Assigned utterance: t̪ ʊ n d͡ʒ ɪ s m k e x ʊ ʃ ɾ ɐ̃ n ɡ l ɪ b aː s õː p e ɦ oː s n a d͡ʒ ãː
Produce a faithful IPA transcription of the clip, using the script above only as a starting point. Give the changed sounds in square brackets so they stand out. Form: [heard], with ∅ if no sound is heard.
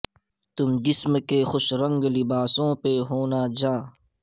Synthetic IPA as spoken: t̪ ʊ [m] d͡ʒ ɪ s m k e x ʊ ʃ ɾ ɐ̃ [ŋ] ɡ l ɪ b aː s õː p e ɦ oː [∅] n a d͡ʒ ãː